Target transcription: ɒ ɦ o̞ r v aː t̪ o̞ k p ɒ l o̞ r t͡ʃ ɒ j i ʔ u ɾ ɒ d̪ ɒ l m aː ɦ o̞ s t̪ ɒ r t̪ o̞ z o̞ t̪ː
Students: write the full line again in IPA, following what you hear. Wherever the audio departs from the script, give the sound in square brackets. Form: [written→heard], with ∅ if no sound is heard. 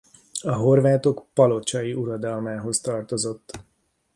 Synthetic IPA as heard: ɒ ɦ o̞ r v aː t̪ o̞ k p ɒ l o̞ [r→∅] t͡ʃ ɒ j i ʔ u ɾ ɒ d̪ ɒ l m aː ɦ o̞ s t̪ ɒ r t̪ o̞ z o̞ t̪ː